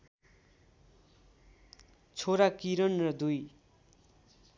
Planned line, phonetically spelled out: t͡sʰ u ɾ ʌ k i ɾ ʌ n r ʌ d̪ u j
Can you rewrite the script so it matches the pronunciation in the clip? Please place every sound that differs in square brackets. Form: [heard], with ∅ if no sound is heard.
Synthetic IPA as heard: t͡sʰ [o] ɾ [a] k i ɾ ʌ n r ʌ d̪ u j